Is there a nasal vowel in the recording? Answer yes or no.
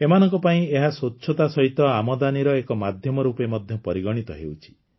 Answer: yes